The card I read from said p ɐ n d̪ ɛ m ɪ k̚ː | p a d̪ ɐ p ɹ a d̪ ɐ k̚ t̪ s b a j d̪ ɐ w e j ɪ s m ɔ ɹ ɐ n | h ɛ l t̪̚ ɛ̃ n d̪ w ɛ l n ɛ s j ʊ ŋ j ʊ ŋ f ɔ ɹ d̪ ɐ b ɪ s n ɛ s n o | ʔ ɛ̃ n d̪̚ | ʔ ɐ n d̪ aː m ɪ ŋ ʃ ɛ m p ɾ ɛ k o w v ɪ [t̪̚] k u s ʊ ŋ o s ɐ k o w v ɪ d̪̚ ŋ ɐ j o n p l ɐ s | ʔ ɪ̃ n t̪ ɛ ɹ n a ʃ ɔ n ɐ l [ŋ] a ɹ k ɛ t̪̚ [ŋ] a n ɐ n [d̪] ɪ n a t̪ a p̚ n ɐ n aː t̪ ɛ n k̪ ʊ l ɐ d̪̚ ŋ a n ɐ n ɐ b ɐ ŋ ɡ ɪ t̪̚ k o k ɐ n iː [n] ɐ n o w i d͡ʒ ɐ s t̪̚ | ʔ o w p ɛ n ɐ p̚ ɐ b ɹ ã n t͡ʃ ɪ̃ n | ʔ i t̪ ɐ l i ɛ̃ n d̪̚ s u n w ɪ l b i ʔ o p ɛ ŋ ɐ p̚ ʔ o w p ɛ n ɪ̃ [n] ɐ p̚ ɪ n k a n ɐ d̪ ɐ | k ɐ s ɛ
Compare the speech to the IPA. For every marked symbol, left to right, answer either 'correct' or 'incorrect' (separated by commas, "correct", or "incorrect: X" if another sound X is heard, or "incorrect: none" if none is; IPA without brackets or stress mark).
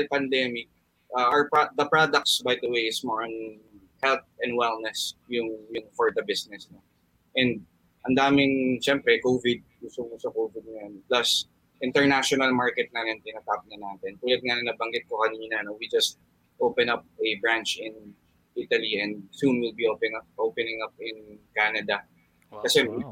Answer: incorrect: d̪̚, incorrect: m, incorrect: n, incorrect: t̪, correct, incorrect: ŋ